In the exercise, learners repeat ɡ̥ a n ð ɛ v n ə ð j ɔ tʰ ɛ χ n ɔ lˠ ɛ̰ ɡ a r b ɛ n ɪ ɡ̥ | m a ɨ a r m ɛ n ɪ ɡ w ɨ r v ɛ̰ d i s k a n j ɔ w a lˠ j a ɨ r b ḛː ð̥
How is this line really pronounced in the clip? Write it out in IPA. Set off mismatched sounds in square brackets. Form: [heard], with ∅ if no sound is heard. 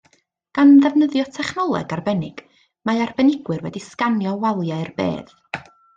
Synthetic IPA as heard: ɡ̥ a n ð ɛ v n ə ð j ɔ tʰ ɛ χ n ɔ lˠ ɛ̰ ɡ a r b ɛ n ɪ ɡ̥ | m a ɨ a r [b] ɛ n ɪ ɡ w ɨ r [w] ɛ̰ d i s k a n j ɔ w a lˠ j a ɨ r b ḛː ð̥